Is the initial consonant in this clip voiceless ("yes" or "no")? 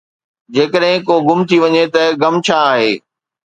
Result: no